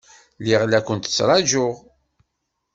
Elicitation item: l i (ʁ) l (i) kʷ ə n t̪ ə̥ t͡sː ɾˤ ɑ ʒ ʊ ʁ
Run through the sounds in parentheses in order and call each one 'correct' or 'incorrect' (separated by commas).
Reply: correct, incorrect